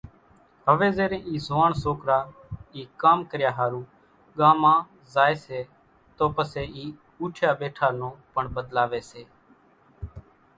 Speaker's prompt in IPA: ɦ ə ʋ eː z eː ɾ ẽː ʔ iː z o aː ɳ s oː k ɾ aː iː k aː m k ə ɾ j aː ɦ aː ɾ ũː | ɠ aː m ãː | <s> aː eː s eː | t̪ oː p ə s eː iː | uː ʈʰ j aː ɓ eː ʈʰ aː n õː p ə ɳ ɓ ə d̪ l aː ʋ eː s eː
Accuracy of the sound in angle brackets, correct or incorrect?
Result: incorrect